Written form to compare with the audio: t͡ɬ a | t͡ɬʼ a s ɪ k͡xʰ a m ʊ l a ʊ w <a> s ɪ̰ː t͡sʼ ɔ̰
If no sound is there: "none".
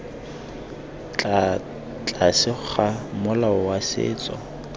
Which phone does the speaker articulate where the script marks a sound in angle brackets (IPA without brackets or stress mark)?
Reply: a